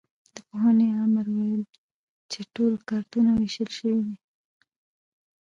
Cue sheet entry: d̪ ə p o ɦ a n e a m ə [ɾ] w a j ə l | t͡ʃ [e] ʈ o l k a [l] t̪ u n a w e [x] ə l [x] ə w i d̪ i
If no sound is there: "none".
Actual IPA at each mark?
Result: ɾ, e, ɾ, ʃ, ʃ

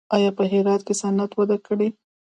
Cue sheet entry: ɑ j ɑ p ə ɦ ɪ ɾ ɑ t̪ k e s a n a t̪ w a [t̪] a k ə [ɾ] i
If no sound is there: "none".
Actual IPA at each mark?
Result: d̪, ɽ

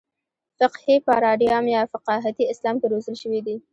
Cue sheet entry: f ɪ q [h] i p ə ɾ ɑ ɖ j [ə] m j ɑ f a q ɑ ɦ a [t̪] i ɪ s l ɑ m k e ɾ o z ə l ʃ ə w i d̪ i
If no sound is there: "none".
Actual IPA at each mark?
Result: h, ɑ, t̪

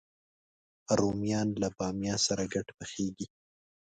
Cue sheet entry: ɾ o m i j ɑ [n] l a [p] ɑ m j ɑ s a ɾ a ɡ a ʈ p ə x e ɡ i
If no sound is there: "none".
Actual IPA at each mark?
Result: n, b

